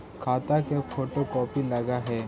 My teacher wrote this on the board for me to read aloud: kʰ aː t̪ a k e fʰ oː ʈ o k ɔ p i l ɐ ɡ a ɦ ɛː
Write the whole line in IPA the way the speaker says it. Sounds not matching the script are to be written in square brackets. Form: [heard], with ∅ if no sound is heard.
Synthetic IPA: kʰ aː t̪ a k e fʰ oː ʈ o k [ɔː] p i l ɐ ɡ a ɦ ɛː